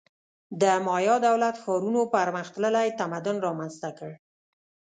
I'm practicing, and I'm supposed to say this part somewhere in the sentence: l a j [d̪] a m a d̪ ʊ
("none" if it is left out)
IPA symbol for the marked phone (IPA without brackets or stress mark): t̪